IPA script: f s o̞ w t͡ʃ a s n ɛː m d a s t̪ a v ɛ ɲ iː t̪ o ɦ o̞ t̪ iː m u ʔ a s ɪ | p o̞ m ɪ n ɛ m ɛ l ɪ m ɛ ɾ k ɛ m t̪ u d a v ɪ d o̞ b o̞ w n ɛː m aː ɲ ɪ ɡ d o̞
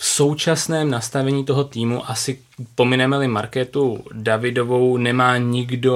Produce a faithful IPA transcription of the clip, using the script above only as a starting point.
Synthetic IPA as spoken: f s o̞ w t͡ʃ a s n ɛː m n a s t̪ a v ɛ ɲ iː t̪ o ɦ o̞ t̪ iː m u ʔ a s ɪ | p o̞ m ɪ n ɛ m ɛ l ɪ m a ɾ k ɛ t̪ u d a v ɪ d o̞ v o̞ w n ɛ m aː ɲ ɪ ɡ d o̞